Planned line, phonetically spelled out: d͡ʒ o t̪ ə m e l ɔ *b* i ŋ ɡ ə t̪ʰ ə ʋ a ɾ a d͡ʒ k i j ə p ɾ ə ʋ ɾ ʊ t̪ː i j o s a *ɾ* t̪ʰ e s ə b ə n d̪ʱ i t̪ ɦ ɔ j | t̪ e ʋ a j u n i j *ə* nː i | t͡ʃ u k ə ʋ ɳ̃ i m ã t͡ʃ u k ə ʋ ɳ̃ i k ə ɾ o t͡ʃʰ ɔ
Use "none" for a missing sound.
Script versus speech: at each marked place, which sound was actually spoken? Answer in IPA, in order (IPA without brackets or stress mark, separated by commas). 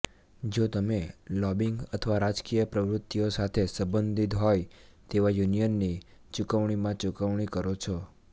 b, none, ə